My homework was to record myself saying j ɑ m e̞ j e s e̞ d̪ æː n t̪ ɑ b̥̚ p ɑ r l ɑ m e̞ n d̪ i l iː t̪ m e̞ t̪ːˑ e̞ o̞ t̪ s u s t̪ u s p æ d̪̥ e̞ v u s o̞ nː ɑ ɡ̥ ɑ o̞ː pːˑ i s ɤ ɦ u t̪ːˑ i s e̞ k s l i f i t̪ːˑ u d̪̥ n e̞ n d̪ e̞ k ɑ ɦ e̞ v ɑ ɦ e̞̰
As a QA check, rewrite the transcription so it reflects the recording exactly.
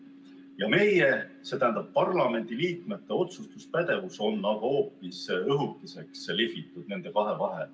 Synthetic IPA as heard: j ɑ m e̞ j e s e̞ t̪ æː n d̪ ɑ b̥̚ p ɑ r l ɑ m e̞ n d̪ i l iː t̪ m e̞ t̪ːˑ e̞ o̞ t̪ s u s t̪ u s p æ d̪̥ e̞ v u s o̞ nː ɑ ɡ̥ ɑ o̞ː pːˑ i s ɤ ɦ u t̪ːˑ i s e̞ k s l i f i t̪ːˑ u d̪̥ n e̞ n d̪ e̞ k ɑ ɦ e̞ v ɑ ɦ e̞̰